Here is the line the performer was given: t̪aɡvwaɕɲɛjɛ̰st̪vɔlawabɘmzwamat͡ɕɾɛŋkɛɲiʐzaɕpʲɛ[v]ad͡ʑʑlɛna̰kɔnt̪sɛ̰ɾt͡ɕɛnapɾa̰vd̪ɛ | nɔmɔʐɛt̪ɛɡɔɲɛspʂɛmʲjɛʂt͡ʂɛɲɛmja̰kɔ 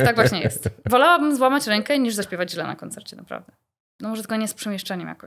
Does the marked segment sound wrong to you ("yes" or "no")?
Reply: no